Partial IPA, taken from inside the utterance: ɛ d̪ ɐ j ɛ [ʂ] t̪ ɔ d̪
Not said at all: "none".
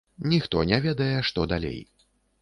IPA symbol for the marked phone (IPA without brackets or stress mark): ʂ